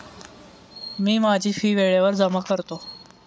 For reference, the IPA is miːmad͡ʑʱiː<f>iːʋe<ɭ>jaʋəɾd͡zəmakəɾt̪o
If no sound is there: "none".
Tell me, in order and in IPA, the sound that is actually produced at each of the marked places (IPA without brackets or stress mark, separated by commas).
f, ɭ